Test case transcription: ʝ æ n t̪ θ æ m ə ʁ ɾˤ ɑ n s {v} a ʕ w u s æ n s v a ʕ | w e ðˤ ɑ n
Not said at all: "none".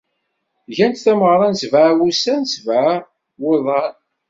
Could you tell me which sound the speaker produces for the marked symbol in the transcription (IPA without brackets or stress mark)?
v